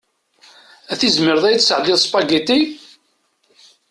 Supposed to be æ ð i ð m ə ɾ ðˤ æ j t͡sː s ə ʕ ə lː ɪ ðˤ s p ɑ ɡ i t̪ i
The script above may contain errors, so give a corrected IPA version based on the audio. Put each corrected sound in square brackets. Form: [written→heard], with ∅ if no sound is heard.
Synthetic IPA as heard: æ [ð→θ] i [ð→z] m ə ɾ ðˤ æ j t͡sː s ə ʕ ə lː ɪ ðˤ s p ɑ ɡ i t̪ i